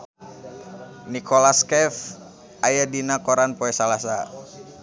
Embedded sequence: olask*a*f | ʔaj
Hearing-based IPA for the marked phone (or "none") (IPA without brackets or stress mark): ɛ